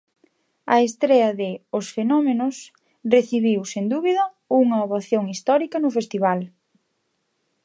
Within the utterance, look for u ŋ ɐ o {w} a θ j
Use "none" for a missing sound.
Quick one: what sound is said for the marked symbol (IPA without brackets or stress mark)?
β